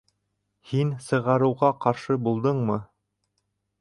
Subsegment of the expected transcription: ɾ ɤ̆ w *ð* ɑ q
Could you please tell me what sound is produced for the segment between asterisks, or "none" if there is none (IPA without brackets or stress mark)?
ʁ